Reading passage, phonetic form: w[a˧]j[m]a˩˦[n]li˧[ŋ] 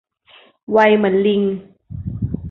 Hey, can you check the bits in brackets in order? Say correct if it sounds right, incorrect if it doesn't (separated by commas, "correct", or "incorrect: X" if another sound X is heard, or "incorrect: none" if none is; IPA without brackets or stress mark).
correct, correct, correct, correct